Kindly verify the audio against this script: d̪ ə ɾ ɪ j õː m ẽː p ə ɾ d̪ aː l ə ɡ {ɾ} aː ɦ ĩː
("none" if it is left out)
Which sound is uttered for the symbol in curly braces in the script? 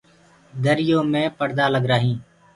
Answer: ɾ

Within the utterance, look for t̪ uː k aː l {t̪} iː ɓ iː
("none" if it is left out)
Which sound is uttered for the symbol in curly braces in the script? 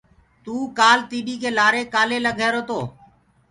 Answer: t̪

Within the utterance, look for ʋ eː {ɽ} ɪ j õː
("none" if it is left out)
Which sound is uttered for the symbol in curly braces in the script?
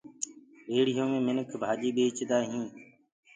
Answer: ɽ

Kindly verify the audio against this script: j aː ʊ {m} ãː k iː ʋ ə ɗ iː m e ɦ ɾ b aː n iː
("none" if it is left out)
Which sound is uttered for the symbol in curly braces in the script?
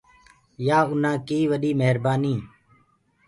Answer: n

